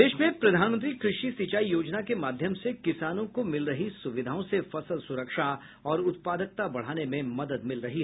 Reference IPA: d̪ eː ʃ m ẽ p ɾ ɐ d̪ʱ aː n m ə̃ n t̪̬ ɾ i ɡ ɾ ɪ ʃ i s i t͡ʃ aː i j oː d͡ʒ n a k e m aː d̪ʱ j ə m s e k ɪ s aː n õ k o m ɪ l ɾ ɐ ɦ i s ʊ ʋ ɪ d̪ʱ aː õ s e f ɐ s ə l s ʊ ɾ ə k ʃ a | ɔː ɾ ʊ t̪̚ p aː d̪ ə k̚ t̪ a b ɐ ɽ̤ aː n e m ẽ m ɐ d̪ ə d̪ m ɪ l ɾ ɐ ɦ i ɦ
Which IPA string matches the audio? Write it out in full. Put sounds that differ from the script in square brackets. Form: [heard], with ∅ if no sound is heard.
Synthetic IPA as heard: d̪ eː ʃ m ẽ p ɾ ɐ d̪ʱ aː n m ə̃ n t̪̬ ɾ i [k] ɾ ɪ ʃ i s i t͡ʃ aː i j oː d͡ʒ n a k e m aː d̪ʱ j ə m s e k ɪ s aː n õ k o m ɪ l ɾ ɐ ɦ i s ʊ ʋ ɪ d̪ʱ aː õ s e f ɐ s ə l s ʊ ɾ ə k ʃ a | ɔː ɾ ʊ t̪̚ p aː d̪ ə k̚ t̪ a b ɐ ɽ̤ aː n e m ẽ m ɐ d̪ ə d̪ m ɪ l ɾ ɐ ɦ i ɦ

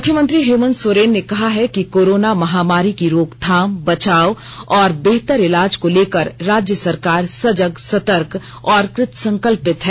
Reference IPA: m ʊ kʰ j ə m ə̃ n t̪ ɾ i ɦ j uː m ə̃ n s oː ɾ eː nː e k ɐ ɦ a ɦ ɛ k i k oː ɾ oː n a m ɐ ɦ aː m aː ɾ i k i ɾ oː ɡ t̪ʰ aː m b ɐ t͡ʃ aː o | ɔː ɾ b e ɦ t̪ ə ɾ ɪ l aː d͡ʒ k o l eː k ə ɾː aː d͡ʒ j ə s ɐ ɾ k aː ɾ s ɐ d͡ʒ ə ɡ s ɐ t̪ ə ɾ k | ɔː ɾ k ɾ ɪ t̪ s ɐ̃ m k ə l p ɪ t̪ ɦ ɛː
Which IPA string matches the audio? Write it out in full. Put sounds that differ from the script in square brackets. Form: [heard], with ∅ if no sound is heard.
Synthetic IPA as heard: m ʊ kʰ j ə m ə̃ n t̪ ɾ i ɦ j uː m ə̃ n s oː ɾ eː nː e k ɐ ɦ a ɦ ɛ k i k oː ɾ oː n a m ɐ ɦ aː m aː ɾ i k i ɾ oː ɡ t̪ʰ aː m b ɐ t͡ʃ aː o | ɔː ɾ b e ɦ t̪ ə ɾ ɪ l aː d͡ʒ k o l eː k ə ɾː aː d͡ʒ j ə s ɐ ɾ k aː ɾ s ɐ d͡ʒ ə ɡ s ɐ t̪ ə ɾ k | ɔː ɾ k ɾ ɪ t̪ s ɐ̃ [ŋ] k ə l p ɪ t̪ ɦ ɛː

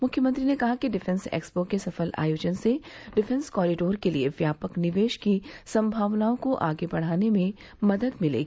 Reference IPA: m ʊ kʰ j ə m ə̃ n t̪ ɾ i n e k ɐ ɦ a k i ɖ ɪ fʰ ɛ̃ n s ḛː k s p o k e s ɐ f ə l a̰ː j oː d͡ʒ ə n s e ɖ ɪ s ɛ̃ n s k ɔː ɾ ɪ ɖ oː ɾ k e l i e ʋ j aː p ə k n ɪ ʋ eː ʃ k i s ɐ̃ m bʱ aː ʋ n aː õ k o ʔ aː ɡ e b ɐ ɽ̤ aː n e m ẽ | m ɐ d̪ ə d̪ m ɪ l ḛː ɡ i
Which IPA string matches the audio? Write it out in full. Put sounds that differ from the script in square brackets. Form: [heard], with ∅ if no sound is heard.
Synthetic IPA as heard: m ʊ kʰ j ə m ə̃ n t̪ ɾ i n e k ɐ ɦ a k i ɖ ɪ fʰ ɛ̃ n s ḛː k s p o k e s ɐ f ə l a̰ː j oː d͡ʒ ə n s e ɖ ɪ [f] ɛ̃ n s k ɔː ɾ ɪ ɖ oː ɾ k e l i e ʋ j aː p ə k n ɪ ʋ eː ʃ k i s ɐ̃ m bʱ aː ʋ n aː õ k o ʔ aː ɡ e b ɐ ɽ̤ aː n e m ẽ | m ɐ d̪ ə d̪ m ɪ l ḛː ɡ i

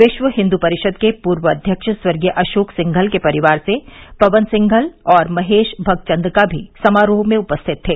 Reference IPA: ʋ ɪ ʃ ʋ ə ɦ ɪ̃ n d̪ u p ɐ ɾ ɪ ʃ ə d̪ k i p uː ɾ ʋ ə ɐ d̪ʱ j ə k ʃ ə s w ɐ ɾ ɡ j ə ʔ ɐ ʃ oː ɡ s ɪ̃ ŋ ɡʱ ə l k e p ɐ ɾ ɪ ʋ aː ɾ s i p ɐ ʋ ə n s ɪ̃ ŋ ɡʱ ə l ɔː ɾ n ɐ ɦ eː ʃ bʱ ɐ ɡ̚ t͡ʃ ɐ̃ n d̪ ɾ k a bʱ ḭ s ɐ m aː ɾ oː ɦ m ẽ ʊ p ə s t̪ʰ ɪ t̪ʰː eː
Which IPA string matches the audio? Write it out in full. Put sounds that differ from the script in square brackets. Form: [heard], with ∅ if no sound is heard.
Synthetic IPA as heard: ʋ ɪ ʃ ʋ ə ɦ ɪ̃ n d̪ u p ɐ ɾ ɪ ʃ ə d̪ k [e] p uː ɾ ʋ ə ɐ d̪ʱ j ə k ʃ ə s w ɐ ɾ ɡ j ə ʔ ɐ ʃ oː [k] s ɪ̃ ŋ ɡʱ ə l k e p ɐ ɾ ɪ ʋ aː ɾ s [e] p ɐ ʋ ə n s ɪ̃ ŋ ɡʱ ə l ɔː ɾ [m] ɐ ɦ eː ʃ bʱ ɐ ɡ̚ t͡ʃ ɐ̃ n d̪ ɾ k a bʱ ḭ s ɐ m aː ɾ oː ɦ m ẽ ʊ p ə s t̪ʰ ɪ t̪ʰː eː

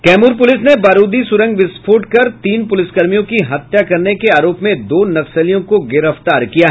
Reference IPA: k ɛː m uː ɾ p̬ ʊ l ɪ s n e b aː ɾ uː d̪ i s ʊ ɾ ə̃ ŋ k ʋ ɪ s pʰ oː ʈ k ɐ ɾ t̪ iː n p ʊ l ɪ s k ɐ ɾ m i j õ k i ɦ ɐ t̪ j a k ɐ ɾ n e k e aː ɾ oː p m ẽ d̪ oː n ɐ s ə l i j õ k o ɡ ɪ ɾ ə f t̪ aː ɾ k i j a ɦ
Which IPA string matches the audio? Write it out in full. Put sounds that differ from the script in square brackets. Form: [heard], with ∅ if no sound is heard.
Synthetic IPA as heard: k ɛː m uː ɾ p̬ ʊ l ɪ s n e b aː ɾ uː d̪ i s ʊ ɾ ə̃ ŋ [ɡ] ʋ ɪ s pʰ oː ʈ k ɐ ɾ t̪ iː n p ʊ l ɪ s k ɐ ɾ m i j õ k i ɦ ɐ t̪ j a k ɐ ɾ n e k e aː ɾ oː p m ẽ d̪ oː n ɐ s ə l i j õ k o ɡ ɪ ɾ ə f t̪ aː ɾ k i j a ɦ

